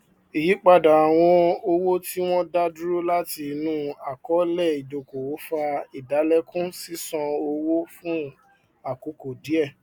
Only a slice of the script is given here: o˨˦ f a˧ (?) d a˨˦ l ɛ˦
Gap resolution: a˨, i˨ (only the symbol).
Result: i˨